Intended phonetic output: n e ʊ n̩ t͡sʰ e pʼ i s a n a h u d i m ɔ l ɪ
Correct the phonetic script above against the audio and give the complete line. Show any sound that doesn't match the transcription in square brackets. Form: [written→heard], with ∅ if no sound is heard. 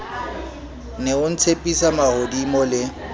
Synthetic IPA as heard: n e ʊ n̩ t͡sʰ e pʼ i s a [n→m] a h [u→o] d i m ɔ l ɪ